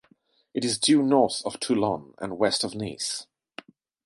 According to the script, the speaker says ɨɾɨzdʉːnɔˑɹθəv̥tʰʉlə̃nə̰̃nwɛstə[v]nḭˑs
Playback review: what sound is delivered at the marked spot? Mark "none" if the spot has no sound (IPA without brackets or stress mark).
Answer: v